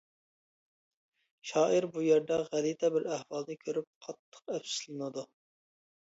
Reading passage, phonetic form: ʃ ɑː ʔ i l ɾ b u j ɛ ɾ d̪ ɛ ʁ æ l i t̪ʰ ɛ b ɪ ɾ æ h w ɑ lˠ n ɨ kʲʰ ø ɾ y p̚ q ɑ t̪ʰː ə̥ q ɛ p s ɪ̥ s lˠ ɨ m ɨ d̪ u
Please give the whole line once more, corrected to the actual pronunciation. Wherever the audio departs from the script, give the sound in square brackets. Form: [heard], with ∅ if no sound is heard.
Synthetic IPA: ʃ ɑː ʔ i [∅] ɾ b u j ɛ ɾ d̪ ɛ ʁ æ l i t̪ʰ ɛ b ɪ ɾ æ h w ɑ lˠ n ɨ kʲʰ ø ɾ y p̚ [qʰ] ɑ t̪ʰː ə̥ q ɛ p s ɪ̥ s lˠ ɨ [n] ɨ d̪ u